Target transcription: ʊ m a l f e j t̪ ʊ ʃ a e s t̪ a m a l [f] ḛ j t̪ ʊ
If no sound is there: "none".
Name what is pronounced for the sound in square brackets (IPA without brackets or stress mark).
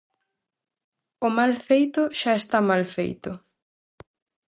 f